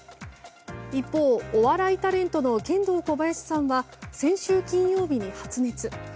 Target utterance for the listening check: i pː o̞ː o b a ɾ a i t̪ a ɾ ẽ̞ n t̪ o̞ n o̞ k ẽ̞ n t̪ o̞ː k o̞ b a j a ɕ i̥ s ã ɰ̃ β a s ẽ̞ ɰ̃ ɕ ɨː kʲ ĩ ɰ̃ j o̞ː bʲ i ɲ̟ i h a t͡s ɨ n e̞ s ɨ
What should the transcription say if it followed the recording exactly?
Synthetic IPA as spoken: i pː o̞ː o β a ɾ a i t̪ a ɾ ẽ̞ n t̪ o̞ n o̞ k ẽ̞ n d̪ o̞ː k o̞ b a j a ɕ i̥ s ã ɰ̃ β a s ẽ̞ ɰ̃ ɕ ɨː kʲ ĩ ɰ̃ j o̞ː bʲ i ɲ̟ i h a t͡s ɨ n e̞ t͡s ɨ